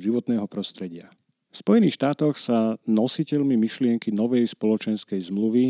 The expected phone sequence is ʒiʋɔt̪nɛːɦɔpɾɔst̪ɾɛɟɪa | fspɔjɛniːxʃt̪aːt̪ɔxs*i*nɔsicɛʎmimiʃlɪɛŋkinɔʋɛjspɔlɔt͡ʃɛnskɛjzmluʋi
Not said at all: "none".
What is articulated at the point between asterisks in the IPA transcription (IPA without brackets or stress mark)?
a